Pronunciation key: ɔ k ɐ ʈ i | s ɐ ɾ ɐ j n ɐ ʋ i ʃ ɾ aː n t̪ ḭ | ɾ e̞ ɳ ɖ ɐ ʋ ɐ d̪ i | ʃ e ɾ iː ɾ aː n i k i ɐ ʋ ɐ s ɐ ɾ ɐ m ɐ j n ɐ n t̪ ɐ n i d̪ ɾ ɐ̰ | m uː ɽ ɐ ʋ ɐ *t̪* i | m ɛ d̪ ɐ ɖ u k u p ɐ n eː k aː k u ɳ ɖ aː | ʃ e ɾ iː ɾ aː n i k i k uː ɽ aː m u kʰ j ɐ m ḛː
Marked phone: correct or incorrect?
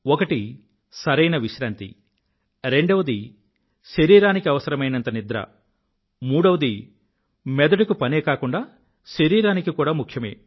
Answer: incorrect